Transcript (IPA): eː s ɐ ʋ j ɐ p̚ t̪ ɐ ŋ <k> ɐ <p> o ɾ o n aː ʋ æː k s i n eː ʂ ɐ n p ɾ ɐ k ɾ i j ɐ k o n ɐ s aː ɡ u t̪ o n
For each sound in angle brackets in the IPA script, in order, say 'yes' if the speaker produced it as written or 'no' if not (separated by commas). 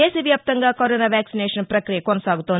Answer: no, no